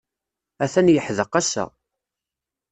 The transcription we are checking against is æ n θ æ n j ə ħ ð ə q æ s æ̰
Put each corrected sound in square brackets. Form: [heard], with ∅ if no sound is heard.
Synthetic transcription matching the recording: æ [∅] θ æ n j ə ħ ð ə q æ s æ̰